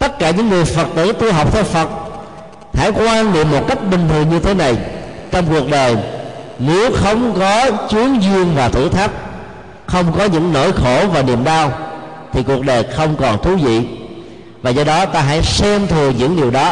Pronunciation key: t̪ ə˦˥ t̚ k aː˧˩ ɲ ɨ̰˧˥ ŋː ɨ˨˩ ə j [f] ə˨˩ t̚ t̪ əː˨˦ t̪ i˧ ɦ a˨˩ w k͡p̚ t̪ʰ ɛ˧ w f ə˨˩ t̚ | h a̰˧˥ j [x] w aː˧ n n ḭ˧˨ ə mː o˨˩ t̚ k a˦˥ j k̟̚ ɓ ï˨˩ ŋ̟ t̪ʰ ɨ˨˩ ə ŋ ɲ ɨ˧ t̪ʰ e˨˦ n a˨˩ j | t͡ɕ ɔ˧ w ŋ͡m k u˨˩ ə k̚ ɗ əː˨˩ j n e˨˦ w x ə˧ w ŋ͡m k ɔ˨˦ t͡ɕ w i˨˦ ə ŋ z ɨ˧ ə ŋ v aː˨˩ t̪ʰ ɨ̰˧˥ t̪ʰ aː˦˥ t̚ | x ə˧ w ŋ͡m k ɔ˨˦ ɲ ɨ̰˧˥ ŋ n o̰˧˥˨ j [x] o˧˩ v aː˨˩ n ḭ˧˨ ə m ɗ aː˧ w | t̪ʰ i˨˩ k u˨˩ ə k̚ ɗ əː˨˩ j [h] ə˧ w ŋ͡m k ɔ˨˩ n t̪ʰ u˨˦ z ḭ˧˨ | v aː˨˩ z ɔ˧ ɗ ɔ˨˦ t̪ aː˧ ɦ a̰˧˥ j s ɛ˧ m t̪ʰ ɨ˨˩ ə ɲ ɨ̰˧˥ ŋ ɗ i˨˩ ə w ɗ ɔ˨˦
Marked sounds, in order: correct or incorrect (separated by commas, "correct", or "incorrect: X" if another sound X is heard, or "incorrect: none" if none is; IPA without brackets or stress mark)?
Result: correct, incorrect: k, correct, incorrect: x